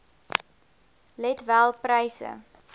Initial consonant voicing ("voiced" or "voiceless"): voiced